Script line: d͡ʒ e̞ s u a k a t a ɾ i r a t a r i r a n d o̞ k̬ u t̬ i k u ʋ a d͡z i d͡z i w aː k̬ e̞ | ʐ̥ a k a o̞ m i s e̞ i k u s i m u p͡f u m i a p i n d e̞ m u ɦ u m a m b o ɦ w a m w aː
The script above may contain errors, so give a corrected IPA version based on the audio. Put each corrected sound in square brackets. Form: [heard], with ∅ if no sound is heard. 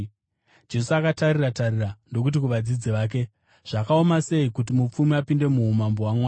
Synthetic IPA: d͡ʒ e̞ s u a k a t a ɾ i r a t a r i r a n d o̞ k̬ u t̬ i k u ʋ a d͡z i d͡z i [ʋ] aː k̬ e̞ | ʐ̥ a k a o̞ m [a] s e̞ i k u [t] i m u p͡f u m i a p i n d e̞ m u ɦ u m a m b o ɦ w a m w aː